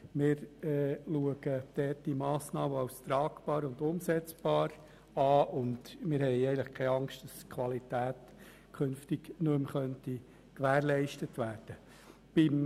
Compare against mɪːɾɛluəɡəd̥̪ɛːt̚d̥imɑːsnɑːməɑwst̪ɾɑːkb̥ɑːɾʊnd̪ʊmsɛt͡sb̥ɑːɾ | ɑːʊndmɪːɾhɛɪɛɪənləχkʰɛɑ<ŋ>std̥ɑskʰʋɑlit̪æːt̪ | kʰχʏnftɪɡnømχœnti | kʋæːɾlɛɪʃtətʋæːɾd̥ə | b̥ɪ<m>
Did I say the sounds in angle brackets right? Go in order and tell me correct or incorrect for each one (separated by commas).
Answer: correct, correct